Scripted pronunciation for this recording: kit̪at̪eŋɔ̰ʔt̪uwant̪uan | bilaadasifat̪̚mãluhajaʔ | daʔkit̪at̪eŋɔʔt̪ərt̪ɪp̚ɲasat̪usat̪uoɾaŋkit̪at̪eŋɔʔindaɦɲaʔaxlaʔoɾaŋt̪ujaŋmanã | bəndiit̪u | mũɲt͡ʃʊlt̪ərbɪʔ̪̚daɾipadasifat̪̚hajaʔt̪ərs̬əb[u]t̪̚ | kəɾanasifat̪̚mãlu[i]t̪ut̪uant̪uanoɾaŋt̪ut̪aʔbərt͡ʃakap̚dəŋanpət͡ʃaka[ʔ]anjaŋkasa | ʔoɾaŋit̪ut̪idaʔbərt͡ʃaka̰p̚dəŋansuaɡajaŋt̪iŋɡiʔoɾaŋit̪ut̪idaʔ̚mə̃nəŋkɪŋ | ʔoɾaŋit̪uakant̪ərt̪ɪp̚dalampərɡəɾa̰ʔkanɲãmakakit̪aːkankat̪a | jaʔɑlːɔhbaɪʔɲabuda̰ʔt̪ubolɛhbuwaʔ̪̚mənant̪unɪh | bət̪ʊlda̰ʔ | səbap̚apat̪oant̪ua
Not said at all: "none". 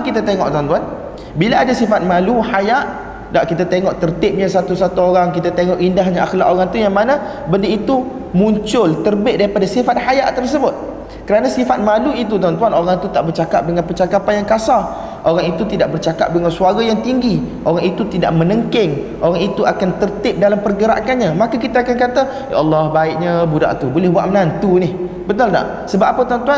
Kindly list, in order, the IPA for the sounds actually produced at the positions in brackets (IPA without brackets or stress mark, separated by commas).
ʊ, i, p